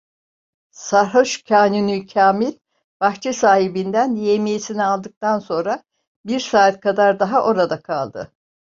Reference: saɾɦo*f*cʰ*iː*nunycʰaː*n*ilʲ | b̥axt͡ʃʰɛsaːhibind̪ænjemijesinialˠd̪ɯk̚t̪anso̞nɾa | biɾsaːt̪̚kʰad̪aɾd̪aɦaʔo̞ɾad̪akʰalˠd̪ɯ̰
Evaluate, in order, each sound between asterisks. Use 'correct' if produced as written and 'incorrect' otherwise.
incorrect, incorrect, incorrect

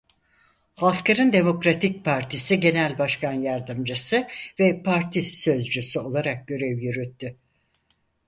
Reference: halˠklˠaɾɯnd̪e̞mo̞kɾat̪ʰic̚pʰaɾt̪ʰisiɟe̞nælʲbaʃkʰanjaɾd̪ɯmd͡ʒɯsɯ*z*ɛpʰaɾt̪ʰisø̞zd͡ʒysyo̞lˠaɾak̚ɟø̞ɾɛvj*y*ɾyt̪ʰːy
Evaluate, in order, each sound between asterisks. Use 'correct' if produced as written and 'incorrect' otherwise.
incorrect, correct

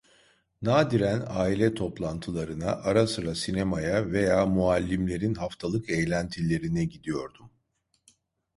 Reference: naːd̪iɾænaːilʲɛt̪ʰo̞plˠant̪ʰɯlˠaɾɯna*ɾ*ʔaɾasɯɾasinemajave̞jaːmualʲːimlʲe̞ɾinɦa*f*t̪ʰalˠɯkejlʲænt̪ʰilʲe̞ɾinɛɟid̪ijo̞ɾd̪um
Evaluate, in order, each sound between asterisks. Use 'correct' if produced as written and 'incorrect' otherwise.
incorrect, correct

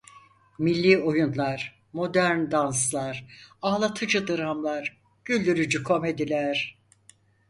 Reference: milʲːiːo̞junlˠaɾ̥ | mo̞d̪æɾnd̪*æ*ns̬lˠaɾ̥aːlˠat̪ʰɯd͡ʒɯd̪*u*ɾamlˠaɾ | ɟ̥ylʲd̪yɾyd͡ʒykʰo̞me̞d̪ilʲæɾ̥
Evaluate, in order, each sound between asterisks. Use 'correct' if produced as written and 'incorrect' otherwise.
incorrect, incorrect

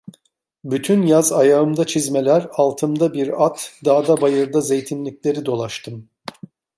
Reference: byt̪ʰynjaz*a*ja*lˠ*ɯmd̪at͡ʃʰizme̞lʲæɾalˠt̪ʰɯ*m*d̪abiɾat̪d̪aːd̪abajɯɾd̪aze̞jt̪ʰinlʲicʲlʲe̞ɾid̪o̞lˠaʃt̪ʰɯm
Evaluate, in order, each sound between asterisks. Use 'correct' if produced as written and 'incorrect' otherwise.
correct, incorrect, correct

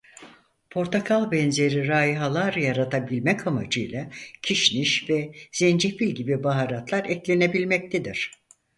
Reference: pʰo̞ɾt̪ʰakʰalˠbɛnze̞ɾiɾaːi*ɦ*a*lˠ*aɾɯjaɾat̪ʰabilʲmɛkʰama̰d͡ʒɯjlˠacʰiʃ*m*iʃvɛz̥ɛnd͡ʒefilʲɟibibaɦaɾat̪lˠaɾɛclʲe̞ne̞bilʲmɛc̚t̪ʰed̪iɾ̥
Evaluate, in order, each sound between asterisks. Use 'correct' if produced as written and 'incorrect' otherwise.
correct, correct, incorrect

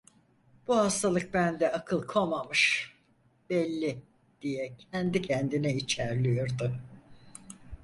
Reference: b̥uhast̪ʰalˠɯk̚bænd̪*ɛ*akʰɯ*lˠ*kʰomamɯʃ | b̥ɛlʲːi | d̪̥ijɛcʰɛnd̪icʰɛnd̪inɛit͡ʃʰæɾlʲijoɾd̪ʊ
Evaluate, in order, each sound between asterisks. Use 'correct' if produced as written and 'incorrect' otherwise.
correct, correct

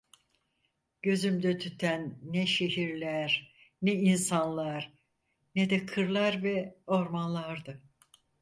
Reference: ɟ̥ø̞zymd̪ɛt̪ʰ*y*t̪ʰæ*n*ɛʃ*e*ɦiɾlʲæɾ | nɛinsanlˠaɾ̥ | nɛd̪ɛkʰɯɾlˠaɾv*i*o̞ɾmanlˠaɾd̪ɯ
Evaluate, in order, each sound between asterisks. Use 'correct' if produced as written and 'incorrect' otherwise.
correct, incorrect, correct, incorrect

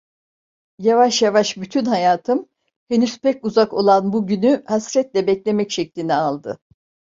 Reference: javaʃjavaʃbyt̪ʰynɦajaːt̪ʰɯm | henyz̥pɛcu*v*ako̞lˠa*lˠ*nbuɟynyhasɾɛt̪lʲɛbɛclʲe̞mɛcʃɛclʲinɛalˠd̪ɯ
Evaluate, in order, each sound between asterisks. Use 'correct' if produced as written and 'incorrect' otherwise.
incorrect, incorrect

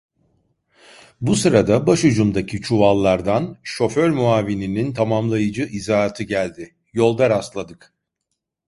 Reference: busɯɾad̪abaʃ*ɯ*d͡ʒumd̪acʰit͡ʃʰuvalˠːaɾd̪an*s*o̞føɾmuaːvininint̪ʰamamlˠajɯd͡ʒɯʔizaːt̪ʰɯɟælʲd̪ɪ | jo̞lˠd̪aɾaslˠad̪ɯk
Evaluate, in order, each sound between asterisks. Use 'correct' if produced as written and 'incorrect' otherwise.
incorrect, incorrect

